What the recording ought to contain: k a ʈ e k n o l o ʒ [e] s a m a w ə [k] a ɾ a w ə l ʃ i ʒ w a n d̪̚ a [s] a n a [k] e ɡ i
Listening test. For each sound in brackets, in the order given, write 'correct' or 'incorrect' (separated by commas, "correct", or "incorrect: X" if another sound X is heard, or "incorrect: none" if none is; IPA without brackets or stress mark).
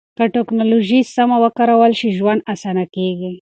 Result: incorrect: i, correct, correct, correct